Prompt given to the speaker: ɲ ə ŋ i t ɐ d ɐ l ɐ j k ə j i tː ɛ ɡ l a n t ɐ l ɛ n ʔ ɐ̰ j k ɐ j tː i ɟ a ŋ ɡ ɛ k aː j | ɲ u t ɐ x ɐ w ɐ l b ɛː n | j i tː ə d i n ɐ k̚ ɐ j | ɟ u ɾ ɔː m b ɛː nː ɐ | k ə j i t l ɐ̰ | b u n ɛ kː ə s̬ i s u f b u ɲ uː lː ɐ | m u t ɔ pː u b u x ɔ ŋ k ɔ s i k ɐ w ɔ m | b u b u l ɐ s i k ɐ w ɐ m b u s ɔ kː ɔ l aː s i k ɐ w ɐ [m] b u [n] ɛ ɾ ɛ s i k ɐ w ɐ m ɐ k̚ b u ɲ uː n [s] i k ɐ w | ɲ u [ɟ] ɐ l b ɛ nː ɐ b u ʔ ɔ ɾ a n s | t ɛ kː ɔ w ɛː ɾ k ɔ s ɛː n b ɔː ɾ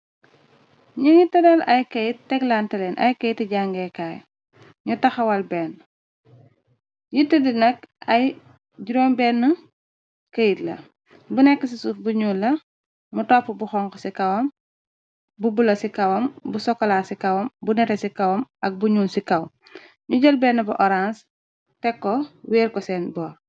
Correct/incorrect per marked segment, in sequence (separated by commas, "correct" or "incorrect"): correct, correct, correct, correct